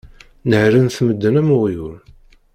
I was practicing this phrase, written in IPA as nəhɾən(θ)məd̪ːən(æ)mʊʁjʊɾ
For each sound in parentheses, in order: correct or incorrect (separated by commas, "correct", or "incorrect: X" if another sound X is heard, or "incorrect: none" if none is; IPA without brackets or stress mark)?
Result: correct, correct